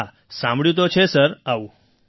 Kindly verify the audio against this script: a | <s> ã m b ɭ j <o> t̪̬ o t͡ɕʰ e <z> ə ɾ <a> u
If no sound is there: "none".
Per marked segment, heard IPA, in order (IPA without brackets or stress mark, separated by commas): s, u, s, a